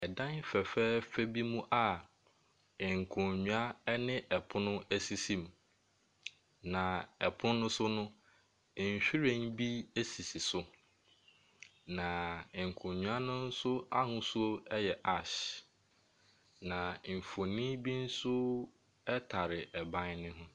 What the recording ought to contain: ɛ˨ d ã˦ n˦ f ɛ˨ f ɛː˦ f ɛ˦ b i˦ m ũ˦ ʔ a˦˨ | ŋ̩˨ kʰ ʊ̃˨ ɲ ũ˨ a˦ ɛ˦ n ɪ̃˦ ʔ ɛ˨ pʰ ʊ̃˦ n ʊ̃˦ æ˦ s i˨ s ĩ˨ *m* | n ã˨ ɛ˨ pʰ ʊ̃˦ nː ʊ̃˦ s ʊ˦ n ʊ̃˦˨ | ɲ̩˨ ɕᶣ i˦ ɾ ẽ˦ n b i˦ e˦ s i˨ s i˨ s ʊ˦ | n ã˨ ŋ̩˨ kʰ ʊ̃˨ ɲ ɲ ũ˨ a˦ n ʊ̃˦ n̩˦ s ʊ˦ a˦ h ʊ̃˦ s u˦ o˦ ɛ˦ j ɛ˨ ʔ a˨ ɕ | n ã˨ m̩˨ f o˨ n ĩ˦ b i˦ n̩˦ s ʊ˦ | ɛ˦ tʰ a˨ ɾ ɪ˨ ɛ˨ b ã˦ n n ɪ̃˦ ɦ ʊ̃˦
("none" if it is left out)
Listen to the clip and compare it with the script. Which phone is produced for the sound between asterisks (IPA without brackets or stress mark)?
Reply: m